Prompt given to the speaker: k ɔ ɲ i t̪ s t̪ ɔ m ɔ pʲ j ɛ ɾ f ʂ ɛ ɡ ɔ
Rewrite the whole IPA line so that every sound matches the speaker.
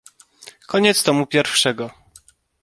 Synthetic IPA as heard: k ɔ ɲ ɛ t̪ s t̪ ɔ m u pʲ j ɛ ɾ f ʂ ɛ ɡ ɔ

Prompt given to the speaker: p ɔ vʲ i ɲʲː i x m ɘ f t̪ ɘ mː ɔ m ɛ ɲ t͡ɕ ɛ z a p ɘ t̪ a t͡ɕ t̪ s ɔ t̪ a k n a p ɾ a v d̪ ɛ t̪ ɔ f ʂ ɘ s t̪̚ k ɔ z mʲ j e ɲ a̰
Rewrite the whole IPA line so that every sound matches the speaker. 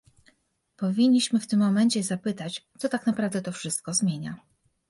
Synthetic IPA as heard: p ɔ vʲ i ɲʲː i ɕ m ɘ f t̪ ɘ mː ɔ m ɛ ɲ t͡ɕ ɛ z a p ɘ t̪ a t͡ɕ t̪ s ɔ t̪ a k n a p ɾ a v d̪ ɛ t̪ ɔ f ʂ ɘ s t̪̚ k ɔ z mʲ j e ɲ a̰

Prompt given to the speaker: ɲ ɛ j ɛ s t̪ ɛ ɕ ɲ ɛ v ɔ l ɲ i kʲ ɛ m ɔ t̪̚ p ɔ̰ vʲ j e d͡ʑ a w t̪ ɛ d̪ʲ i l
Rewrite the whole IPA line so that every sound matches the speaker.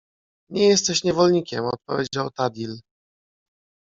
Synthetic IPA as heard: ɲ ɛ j ɛ s t̪ ɛ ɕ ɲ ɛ v ɔ l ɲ i kʲ ɛ m ɔ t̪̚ p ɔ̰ vʲ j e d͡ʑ a w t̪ a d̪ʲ i l

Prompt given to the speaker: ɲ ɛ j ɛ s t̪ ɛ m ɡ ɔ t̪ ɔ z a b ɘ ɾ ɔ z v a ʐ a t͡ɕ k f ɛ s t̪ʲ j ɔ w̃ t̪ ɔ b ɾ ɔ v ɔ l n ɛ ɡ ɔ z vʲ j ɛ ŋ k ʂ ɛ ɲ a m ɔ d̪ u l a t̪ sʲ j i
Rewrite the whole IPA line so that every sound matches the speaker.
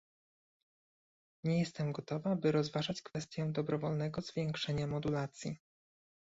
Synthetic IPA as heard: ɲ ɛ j ɛ s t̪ ɛ m ɡ ɔ t̪ ɔ v a b ɘ ɾ ɔ z v a ʐ a t͡ɕ k f ɛ s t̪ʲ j ɔ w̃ d̪ ɔ b ɾ ɔ v ɔ l n ɛ ɡ ɔ z vʲ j ɛ ŋ k ʂ ɛ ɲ a m ɔ d̪ u l a t̪ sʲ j i

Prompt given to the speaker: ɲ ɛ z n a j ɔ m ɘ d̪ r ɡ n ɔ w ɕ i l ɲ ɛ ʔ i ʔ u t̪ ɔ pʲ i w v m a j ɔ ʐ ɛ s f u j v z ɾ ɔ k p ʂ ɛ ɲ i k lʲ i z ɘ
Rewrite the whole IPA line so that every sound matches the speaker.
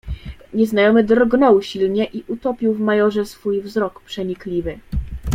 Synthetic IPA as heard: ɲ ɛ z n a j ɔ m ɘ d̪ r ɡ n ɔ w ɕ i l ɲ ɛ ʔ i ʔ u t̪ ɔ pʲ i w v m a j ɔ ʐ ɛ s f u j v z ɾ ɔ k p ʂ ɛ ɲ i k lʲ i v ɘ

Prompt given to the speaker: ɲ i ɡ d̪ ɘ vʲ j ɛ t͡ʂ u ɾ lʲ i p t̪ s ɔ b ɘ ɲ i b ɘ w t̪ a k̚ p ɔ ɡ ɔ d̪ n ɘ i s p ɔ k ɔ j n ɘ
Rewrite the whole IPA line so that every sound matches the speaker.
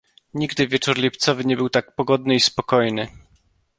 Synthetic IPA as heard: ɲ i ɡ d̪ ɘ vʲ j ɛ t͡ʂ u ɾ lʲ i p t̪ s ɔ v ɘ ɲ ɛ b ɘ w t̪ a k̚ p ɔ ɡ ɔ d̪ n ɘ i s p ɔ k ɔ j n ɘ

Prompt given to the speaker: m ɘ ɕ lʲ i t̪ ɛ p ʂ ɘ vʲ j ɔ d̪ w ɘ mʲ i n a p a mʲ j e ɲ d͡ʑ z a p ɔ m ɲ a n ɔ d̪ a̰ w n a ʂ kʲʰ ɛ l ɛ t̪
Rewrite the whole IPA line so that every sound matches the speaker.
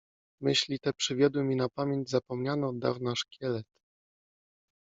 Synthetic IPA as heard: m ɘ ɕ lʲ i t̪ ɛ p ʂ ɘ vʲ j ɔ d̪ w ɘ mʲ i n a p a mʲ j e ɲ d͡ʑ z a p ɔ m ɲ a n ɔ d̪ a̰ v n a ʂ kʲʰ ɛ l ɛ t̪

